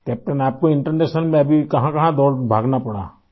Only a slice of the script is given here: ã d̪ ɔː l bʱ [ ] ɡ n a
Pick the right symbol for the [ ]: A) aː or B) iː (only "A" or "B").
A